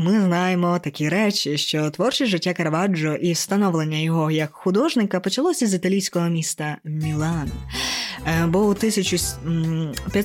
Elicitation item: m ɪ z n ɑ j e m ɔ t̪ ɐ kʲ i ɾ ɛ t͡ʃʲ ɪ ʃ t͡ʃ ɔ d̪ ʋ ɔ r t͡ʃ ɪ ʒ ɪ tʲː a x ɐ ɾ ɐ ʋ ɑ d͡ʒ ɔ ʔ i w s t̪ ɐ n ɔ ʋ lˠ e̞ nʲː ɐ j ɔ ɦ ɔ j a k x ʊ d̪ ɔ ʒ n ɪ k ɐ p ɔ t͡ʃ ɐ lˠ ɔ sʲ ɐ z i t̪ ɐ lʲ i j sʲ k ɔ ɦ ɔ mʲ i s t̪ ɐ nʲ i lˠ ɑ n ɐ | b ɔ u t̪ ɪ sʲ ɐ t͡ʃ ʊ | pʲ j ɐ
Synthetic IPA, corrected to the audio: m ɪ z n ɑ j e m ɔ t̪ ɐ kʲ i ɾ ɛ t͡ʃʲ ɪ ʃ t͡ʃ ɔ t̪ ʋ ɔ r t͡ʃ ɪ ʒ ɪ tʲː a k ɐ ɾ ɐ ʋ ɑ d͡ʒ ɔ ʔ i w s t̪ ɐ n ɔ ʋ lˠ e̞ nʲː ɐ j ɔ ɦ ɔ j ɐ k x ʊ d̪ ɔ ʒ n ɪ k ɐ p ɔ t͡ʃ ɐ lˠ ɔ sʲ ɐ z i t̪ ɐ lʲ i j sʲ k ɔ ɦ ɔ mʲ i s t̪ ɐ mʲ i lˠ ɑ n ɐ | b ɔ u t̪ ɪ sʲ ɐ t͡ʃ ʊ | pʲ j ɐ